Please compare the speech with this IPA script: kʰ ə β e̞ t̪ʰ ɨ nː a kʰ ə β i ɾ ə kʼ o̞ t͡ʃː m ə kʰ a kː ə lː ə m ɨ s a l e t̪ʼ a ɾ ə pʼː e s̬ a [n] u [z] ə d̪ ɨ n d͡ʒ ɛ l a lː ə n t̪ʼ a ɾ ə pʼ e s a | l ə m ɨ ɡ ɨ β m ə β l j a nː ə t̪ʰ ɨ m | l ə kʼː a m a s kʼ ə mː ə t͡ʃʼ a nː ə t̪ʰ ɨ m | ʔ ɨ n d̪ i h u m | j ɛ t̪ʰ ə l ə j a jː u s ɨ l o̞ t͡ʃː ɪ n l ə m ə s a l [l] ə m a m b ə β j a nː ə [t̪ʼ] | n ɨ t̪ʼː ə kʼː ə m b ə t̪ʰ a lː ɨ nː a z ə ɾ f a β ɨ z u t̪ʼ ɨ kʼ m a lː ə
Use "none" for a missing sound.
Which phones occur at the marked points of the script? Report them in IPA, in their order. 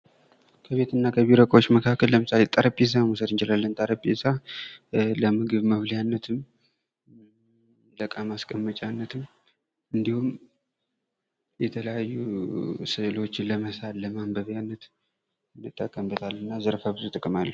m, s, l, t̪

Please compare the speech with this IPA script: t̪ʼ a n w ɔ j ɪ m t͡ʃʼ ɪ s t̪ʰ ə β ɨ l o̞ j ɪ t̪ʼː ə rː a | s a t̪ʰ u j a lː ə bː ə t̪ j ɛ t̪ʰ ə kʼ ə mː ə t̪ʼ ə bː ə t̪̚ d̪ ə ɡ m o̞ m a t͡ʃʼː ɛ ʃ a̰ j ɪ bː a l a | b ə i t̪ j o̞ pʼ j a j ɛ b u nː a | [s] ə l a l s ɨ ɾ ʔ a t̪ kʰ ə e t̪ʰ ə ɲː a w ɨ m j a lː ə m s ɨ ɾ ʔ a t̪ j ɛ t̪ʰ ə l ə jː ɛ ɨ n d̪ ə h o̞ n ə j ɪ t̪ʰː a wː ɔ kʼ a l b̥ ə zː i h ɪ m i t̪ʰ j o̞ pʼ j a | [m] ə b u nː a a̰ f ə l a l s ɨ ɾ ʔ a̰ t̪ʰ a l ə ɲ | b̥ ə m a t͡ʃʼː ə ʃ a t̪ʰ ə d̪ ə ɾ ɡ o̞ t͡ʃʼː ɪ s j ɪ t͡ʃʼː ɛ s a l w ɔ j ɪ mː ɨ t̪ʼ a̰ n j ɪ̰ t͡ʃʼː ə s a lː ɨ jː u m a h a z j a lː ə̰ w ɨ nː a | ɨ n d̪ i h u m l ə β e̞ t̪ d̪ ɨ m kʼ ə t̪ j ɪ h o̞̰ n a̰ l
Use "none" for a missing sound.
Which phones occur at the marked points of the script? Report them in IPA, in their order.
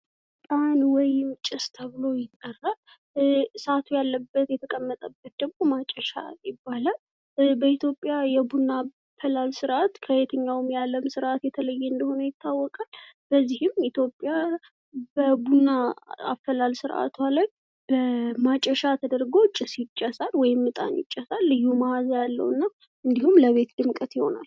f, b

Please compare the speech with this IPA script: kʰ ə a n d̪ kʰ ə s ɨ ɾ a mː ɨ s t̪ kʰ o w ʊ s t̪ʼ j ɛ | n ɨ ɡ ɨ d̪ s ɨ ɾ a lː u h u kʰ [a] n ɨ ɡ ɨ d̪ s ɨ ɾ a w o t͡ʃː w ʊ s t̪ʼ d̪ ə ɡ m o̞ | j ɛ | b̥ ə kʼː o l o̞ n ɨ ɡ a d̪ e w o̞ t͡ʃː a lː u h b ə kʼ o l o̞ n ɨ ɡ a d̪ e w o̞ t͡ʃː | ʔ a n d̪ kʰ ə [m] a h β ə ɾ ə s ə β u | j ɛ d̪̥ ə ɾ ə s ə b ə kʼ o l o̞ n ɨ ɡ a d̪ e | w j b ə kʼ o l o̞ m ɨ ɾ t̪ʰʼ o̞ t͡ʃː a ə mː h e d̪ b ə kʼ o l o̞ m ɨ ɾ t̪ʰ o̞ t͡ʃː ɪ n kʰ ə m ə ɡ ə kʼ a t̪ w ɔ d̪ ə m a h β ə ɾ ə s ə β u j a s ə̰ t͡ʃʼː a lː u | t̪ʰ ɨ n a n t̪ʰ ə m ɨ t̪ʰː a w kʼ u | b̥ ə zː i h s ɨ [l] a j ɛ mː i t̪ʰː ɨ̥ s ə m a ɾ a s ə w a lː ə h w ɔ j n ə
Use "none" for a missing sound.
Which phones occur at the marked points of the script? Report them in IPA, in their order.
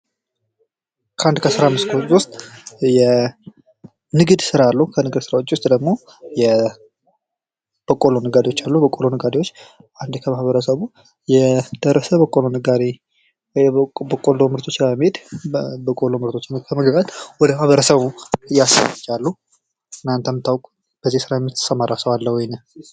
ə, m, ɾ

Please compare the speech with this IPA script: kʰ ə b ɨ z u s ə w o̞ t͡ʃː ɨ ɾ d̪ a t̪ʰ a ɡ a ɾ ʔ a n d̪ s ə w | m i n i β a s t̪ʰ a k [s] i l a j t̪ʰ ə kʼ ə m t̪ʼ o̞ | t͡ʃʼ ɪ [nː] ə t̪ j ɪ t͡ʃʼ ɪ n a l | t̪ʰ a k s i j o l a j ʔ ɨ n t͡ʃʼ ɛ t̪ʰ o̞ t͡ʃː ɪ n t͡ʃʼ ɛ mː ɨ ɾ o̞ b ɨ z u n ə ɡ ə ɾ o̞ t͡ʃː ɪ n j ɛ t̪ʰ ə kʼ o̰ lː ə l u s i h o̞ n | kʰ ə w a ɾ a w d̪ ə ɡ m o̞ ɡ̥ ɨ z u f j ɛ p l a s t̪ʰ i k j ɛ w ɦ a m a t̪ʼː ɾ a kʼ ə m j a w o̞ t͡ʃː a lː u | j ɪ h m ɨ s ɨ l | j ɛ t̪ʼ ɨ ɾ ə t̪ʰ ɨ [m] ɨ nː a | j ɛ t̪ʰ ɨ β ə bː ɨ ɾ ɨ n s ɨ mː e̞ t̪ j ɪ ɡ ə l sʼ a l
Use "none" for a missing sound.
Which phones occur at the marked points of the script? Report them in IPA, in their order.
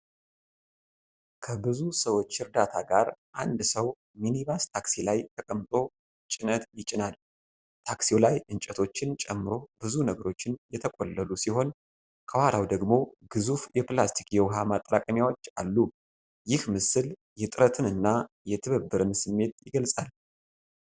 s, n, n

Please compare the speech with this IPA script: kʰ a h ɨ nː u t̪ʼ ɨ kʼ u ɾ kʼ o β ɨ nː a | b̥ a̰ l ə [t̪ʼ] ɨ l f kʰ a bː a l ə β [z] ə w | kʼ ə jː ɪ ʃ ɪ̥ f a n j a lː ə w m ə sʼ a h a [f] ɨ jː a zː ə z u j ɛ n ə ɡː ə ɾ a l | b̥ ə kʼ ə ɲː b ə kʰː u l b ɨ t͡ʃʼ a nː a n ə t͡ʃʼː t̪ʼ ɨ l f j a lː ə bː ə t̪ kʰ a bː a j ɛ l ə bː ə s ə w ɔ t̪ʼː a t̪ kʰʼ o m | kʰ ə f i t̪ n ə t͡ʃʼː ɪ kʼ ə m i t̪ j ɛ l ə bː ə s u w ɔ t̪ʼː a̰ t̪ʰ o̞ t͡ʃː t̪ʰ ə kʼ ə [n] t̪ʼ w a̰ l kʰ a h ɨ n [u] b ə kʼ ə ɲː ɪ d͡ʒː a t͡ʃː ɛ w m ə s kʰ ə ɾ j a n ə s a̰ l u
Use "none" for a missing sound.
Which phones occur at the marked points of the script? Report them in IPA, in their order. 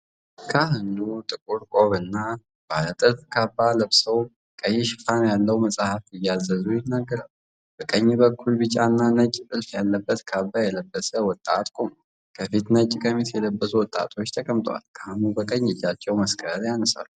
t̪ʼ, s, f, m, u

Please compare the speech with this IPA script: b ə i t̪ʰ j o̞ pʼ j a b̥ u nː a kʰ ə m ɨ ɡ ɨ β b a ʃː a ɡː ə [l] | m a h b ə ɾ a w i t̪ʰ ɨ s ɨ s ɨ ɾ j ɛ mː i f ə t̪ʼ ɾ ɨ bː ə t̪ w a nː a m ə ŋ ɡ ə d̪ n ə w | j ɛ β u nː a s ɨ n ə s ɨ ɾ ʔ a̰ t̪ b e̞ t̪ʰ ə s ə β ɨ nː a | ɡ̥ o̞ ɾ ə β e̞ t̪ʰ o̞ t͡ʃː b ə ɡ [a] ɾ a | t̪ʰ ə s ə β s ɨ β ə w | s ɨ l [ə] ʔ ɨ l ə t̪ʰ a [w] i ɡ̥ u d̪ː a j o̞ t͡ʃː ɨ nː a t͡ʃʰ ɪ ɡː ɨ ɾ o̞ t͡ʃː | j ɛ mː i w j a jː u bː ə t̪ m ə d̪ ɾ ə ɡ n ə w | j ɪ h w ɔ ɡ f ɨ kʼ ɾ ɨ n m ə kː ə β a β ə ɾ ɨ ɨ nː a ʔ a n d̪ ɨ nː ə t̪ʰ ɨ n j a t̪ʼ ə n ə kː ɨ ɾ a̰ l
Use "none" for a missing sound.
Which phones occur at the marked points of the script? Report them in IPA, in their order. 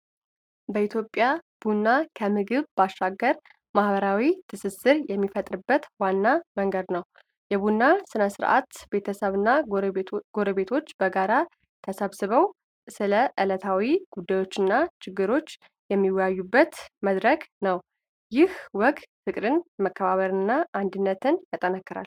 ɾ, a, ə, w

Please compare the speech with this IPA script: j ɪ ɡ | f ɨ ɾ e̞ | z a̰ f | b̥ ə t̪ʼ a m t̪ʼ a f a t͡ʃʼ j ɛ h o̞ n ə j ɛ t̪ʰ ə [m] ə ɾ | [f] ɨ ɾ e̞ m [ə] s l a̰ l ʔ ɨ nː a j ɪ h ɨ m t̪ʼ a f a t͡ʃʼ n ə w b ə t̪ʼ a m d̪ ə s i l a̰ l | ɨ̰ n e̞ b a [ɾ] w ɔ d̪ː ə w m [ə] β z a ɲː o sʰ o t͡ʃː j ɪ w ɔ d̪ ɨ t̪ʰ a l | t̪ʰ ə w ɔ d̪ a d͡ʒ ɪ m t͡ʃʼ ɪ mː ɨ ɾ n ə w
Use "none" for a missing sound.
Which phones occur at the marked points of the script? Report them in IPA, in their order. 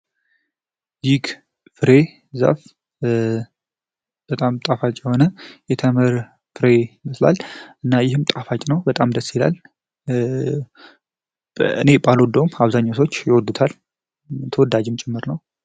m, f, ə, l, a

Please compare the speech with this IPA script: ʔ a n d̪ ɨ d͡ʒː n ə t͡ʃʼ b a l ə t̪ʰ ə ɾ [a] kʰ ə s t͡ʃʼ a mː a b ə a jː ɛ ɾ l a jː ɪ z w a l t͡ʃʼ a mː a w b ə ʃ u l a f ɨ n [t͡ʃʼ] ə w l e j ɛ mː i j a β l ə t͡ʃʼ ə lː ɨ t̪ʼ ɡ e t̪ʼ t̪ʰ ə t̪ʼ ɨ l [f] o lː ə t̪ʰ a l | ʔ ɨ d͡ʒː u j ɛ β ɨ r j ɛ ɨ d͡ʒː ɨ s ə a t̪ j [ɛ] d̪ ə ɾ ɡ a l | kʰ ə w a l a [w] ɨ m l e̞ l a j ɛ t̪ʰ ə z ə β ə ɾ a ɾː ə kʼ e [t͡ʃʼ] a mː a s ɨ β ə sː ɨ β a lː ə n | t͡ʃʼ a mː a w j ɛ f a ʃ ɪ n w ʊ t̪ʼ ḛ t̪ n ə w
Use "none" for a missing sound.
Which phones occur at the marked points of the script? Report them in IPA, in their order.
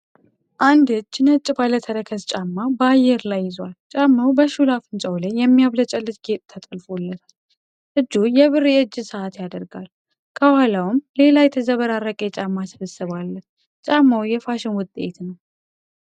ə, t͡ʃʼ, f, a, w, t͡ʃʼ

